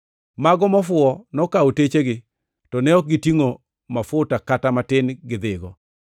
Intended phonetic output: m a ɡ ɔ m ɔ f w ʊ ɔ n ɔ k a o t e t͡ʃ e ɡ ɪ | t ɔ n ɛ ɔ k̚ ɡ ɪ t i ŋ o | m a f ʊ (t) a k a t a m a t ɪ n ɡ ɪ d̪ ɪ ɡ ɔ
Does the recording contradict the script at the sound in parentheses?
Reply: no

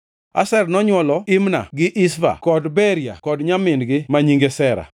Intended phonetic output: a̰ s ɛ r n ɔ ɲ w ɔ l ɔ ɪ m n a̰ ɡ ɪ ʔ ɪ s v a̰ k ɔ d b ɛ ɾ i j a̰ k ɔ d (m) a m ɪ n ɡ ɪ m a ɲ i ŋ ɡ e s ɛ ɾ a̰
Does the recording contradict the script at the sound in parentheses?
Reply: yes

